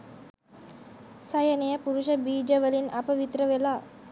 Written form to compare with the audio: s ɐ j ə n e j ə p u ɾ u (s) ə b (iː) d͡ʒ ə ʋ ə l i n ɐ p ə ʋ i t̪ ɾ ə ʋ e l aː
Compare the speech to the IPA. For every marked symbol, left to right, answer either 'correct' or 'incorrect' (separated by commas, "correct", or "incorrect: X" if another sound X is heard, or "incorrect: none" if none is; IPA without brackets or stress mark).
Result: incorrect: ʃ, correct